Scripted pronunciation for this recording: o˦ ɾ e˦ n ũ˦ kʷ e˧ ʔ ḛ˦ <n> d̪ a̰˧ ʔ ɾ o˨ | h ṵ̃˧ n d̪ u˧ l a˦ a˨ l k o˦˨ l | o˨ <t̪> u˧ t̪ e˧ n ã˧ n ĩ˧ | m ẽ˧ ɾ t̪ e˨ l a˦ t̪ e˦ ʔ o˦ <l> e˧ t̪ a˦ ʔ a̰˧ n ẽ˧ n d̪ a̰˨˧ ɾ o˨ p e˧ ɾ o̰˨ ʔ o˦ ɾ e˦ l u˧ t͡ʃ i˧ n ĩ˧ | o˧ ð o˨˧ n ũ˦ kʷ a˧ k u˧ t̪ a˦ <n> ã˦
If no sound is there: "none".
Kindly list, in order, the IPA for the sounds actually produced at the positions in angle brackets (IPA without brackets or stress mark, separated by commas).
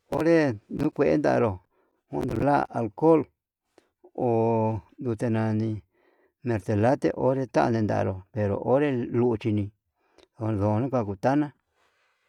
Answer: n, d̪, ɾ, n